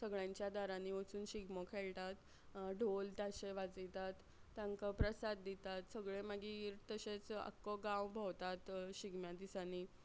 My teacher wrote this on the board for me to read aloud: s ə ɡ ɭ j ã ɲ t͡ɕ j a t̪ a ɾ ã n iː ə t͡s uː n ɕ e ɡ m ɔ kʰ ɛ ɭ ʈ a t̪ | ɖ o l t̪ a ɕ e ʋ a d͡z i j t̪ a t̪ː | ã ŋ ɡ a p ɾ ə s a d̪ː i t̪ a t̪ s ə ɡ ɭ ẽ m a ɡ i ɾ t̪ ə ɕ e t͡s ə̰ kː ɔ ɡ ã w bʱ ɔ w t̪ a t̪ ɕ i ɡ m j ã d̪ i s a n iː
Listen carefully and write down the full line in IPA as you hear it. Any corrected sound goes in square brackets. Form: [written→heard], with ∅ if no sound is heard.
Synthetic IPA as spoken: s ə ɡ ɭ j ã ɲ t͡ɕ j a [t̪→d̪] a ɾ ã n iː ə t͡s uː n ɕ [e→i] ɡ m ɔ kʰ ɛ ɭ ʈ a t̪ | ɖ o l t̪ a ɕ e ʋ a d͡z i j t̪ a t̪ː | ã ŋ [ɡ→k] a p ɾ ə s a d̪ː i t̪ a t̪ s ə ɡ ɭ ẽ m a ɡ i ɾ t̪ ə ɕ e t͡s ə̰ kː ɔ ɡ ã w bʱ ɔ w t̪ a t̪ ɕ i ɡ m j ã d̪ i s a n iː